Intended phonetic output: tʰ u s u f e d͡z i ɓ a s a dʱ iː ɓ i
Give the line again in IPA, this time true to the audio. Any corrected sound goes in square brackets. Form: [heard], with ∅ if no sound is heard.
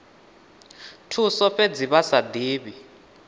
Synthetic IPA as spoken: tʰ u s [ɔ] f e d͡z i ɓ a s a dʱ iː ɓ i

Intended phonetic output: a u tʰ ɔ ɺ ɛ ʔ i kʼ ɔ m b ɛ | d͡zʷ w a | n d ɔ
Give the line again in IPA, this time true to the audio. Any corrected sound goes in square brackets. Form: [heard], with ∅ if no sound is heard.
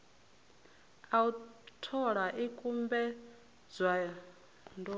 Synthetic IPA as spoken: a u tʰ ɔ ɺ [a] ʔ i kʼ [u] m b ɛ | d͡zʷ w a | n d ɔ

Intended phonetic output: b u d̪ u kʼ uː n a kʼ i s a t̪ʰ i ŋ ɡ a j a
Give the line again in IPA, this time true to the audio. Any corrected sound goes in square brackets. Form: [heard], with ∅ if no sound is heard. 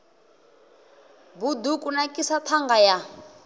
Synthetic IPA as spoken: b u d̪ u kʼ [u] n a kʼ i s a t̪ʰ [a] ŋ ɡ a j a

